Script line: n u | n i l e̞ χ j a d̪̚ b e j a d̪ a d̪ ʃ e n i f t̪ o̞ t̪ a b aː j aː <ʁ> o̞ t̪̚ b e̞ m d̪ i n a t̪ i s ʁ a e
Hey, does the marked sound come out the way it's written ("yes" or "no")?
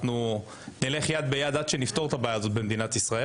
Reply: no